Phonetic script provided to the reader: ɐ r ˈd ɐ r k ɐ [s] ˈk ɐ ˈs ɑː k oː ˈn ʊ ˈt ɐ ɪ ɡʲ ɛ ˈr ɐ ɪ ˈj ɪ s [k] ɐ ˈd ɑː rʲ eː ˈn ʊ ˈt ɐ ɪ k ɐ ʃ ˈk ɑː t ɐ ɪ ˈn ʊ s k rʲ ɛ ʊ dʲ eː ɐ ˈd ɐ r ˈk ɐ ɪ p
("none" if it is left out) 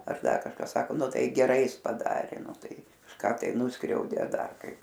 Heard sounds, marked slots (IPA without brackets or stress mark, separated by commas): ʃ, p